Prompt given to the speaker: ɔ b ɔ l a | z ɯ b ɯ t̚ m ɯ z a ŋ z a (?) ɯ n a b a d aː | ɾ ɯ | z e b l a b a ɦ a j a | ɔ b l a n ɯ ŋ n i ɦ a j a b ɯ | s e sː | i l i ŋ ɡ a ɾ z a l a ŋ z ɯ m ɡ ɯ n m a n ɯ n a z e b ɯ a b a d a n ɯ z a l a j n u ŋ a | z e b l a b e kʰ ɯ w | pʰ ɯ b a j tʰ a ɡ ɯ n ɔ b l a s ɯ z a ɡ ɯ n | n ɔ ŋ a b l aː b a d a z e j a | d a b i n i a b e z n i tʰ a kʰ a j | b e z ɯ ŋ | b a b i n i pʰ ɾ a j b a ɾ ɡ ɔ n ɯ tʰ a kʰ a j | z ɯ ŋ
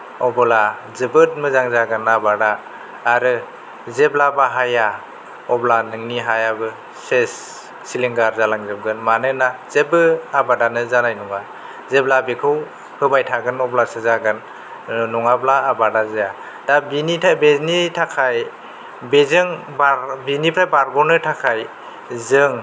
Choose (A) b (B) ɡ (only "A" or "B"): B